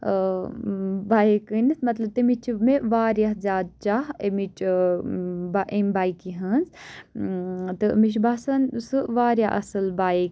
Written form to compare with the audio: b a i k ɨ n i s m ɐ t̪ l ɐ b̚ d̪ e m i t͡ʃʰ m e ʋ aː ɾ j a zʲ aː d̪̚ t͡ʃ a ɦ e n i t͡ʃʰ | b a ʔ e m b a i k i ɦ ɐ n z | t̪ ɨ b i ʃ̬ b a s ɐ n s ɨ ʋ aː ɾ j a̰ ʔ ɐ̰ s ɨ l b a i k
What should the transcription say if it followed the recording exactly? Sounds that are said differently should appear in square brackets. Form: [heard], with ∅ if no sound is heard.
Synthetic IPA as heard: b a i k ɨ n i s m ɐ t̪ l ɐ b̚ [t̪] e m i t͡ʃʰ m e ʋ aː ɾ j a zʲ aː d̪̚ t͡ʃ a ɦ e [m] i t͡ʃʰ | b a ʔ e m b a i k i ɦ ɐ n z | t̪ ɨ [m] i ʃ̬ b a s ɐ n s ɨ ʋ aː ɾ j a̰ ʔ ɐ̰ s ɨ l b a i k